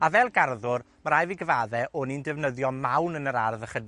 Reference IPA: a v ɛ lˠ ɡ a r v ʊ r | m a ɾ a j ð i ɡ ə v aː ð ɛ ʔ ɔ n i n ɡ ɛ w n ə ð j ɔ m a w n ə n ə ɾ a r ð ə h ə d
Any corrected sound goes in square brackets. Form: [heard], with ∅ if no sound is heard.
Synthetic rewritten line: a v ɛ lˠ ɡ a r [ð] ʊ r | m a ɾ a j [v] i ɡ ə v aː ð ɛ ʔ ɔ n i n [d] ɛ [v] n ə ð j ɔ m a w n ə n ə ɾ a r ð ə [χ] ə d